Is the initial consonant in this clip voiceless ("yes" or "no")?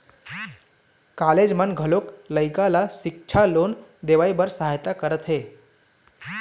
yes